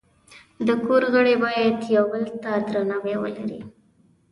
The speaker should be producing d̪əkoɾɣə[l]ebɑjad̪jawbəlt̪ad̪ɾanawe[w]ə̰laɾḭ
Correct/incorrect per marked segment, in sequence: incorrect: ɽ, correct

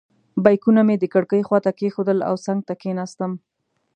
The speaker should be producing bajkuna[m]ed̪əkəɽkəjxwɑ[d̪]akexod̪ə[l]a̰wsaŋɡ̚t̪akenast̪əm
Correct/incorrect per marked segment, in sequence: correct, incorrect: t̪, correct

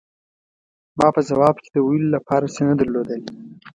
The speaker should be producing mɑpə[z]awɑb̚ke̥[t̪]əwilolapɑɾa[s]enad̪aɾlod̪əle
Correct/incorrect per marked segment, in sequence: correct, incorrect: d̪, correct

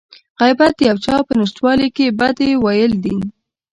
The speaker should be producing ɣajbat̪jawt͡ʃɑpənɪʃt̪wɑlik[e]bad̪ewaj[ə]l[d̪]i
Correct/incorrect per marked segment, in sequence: correct, correct, correct

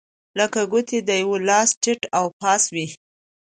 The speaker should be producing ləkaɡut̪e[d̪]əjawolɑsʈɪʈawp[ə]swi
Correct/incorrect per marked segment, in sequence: correct, incorrect: ɑ

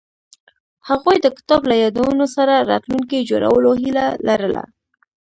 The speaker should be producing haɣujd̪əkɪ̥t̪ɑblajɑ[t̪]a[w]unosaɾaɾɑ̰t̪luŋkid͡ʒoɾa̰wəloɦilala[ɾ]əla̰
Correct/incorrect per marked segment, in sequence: incorrect: d̪, correct, correct

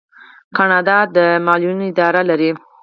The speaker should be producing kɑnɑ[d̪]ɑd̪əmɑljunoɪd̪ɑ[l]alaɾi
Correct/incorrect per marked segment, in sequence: correct, incorrect: ɾ

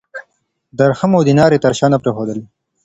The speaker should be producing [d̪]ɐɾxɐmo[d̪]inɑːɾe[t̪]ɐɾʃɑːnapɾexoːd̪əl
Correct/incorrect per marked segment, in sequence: correct, correct, correct

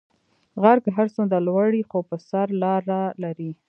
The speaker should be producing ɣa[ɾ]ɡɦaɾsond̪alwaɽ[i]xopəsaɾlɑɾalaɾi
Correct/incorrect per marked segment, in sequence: correct, correct

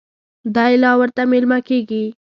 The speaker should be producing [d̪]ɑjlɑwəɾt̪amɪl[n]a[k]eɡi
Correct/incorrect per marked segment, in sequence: correct, incorrect: m, correct

